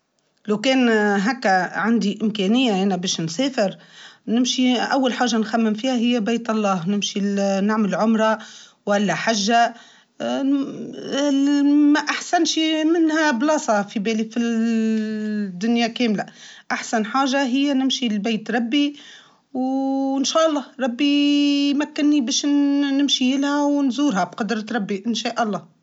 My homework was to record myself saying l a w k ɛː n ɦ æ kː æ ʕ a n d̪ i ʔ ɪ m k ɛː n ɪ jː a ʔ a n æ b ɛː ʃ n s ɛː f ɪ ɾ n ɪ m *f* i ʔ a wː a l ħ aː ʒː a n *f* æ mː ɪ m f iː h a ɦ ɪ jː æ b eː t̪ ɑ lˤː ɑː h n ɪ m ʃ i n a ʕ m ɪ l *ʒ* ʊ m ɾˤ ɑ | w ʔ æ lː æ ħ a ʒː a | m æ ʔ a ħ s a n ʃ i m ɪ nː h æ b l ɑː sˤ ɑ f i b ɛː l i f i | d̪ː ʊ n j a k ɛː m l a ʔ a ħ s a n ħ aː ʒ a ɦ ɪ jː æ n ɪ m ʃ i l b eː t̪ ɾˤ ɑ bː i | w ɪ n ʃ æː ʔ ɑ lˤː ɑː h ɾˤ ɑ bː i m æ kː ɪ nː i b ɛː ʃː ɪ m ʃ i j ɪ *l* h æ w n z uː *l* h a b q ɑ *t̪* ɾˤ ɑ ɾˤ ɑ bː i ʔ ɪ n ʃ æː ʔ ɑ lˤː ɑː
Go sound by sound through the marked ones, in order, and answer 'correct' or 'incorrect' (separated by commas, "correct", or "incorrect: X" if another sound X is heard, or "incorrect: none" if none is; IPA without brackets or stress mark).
incorrect: ʃ, incorrect: x, incorrect: ʕ, correct, incorrect: ɾ, incorrect: d̪